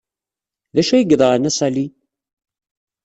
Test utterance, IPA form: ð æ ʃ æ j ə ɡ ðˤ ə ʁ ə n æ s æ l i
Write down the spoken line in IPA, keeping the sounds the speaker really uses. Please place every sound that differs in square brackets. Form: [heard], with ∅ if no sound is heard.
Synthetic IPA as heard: ð æ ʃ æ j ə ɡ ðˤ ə ʁ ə n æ s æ l i